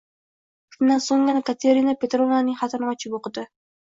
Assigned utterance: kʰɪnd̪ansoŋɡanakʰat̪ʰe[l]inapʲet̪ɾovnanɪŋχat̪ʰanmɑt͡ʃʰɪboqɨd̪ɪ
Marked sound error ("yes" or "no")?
yes